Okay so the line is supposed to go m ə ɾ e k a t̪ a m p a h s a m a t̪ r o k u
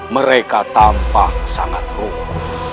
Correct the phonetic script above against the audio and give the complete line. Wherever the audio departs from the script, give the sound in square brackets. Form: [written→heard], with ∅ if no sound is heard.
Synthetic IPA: m ə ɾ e k a t̪ a m p a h s a [m→ŋ] a t̪ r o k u